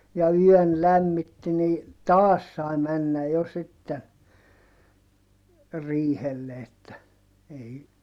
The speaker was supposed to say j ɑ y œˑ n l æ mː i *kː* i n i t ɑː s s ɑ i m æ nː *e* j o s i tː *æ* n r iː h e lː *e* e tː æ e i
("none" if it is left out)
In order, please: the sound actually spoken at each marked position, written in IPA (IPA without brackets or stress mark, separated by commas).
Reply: tː, æ, e, e